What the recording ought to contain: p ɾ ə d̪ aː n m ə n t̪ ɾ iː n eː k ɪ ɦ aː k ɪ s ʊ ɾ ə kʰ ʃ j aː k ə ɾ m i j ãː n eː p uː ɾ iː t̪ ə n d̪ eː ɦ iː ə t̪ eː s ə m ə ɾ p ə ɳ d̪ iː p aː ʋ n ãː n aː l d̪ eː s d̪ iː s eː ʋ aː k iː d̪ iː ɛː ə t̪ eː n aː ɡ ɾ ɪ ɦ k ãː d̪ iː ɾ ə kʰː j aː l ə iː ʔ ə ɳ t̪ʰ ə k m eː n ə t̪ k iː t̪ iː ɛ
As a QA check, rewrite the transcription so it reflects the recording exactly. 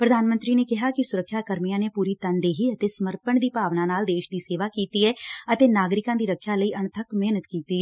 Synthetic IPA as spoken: p ɾ ə d̪ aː n m ə n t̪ ɾ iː n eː k ɪ ɦ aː k ɪ s ʊ ɾ ə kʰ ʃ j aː k ə ɾ m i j ãː n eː p uː ɾ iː t̪ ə n d̪ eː ɦ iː ə t̪ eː s ə m ə ɾ p ə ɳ d̪ iː p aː ʋ n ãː n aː l d̪ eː ʃ d̪ iː s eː ʋ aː k iː t̪ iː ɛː ə t̪ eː n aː ɡ ɾ ɪ k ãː d̪ iː ɾ ə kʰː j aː l ə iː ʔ ə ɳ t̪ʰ ə k m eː n ə t̪ k iː t̪ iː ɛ